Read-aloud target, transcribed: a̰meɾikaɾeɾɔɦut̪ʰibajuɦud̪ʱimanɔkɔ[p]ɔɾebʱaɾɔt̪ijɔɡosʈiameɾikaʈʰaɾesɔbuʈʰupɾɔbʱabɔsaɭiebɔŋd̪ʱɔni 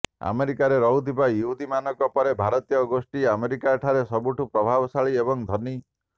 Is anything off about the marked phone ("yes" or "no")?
no